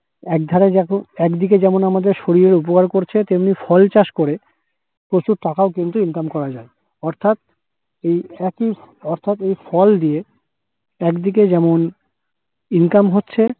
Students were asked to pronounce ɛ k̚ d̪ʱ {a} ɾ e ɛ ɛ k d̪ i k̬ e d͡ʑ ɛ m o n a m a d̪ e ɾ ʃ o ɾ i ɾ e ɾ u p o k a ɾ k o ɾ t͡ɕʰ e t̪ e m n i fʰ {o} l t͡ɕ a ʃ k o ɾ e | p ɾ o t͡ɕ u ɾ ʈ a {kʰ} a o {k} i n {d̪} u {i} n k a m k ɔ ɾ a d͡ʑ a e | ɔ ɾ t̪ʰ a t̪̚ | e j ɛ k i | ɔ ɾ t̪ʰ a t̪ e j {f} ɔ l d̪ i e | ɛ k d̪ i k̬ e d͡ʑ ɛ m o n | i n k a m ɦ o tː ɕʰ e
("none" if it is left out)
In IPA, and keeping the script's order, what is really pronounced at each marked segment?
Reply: a, ɔ, k, k, t̪, i, f

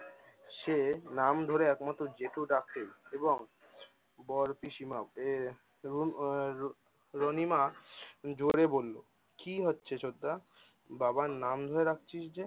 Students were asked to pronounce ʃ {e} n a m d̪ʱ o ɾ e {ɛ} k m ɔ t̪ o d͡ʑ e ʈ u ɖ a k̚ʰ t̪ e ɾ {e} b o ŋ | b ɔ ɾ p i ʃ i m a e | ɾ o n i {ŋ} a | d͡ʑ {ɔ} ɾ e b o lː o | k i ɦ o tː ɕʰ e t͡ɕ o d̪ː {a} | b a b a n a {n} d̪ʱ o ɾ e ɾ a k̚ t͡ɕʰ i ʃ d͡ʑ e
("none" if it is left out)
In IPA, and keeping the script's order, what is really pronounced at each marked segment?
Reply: e, ɛ, e, m, o, a, m

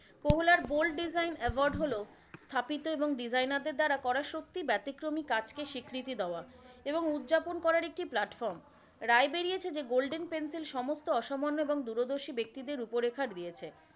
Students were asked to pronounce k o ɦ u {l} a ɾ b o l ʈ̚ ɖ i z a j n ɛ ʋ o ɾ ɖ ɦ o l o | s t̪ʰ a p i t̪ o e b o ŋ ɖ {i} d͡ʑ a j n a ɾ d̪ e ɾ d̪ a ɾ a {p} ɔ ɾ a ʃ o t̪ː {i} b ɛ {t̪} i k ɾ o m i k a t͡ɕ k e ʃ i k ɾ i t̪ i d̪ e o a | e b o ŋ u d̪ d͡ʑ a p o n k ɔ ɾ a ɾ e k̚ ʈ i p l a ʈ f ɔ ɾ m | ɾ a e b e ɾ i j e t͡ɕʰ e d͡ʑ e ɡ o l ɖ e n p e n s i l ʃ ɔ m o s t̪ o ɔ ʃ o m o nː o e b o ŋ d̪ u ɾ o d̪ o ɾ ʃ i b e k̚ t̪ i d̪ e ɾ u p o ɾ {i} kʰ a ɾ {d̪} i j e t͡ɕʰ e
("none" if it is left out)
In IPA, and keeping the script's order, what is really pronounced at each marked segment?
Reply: l, i, k, i, t̪, e, d̪

